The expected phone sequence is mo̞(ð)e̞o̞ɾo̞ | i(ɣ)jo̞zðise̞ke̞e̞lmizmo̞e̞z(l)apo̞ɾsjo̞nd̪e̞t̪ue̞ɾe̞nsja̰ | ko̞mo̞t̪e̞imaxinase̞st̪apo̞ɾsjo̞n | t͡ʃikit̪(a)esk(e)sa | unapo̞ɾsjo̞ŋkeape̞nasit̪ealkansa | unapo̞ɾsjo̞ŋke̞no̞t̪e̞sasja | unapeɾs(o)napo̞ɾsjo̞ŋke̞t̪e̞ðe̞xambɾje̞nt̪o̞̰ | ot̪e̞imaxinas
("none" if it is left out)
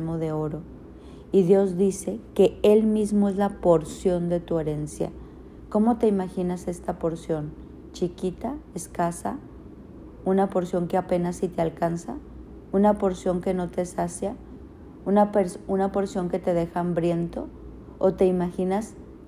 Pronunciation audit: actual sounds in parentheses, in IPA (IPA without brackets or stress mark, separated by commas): ð, ð, l, a, a, u